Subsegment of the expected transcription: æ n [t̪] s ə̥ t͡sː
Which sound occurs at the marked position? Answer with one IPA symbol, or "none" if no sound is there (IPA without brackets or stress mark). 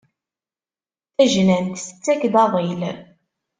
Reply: t̪